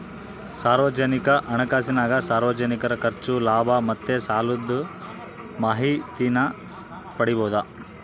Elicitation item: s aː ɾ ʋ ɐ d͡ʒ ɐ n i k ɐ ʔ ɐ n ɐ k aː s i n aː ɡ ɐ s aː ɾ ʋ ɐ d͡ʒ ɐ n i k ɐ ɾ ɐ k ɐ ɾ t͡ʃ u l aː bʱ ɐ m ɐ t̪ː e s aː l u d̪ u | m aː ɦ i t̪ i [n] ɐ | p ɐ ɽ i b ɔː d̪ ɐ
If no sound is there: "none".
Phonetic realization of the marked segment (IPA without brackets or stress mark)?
n